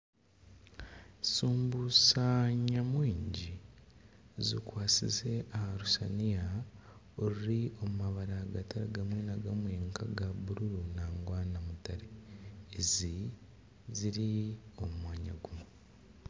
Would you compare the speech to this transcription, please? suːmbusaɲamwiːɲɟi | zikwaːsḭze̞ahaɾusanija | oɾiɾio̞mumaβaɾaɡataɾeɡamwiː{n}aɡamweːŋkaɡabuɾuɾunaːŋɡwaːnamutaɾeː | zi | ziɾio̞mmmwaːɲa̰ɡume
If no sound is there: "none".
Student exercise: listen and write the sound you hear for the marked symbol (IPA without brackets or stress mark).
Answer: n